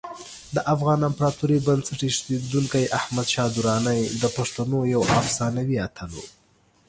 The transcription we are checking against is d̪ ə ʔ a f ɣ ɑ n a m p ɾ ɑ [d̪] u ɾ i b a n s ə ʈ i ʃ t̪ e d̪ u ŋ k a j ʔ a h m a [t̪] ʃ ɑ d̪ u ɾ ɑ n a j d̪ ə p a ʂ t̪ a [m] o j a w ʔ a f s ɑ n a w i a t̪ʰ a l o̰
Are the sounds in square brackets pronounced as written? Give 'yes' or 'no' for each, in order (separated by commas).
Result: no, no, no